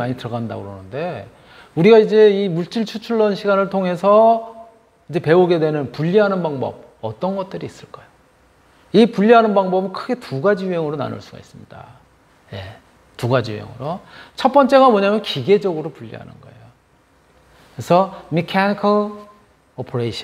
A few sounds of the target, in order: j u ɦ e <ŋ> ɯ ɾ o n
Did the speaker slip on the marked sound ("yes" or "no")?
no